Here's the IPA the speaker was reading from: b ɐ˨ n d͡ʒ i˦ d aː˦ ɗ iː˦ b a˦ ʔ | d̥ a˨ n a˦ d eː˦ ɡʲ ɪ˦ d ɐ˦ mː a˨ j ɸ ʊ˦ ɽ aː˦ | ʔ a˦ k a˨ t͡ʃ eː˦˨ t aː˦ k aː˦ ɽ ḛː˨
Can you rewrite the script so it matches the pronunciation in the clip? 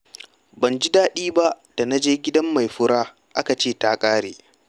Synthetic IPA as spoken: b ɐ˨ n d͡ʒ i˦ d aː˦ ɗ iː˦ b a˦ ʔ | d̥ a˨ n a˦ d͡ʒ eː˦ ɡʲ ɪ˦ d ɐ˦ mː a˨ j ɸ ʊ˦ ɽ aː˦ | ʔ a˦ k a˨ t͡ʃ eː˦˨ t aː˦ kʼ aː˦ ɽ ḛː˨